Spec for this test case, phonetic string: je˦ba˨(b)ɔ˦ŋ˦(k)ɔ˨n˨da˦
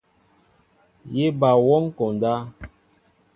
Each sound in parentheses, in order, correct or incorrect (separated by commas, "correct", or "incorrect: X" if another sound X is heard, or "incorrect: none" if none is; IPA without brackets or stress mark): incorrect: w, correct